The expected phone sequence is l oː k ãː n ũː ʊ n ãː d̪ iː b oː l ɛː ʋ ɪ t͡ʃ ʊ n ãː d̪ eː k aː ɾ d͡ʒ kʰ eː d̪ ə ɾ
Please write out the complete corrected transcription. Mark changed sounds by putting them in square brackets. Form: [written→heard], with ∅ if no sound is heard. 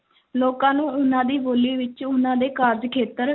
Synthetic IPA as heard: l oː k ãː n ũː ʊ n ãː d̪ iː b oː l [ɛː→iː] ʋ ɪ t͡ʃ ʊ n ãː d̪ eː k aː ɾ d͡ʒ kʰ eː [d̪→t̪] ə ɾ